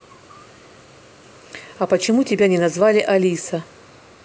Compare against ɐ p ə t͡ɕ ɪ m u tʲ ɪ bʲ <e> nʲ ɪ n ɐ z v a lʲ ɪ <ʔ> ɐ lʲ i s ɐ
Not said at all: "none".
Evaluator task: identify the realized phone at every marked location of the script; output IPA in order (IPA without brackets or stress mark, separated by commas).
a, ʔ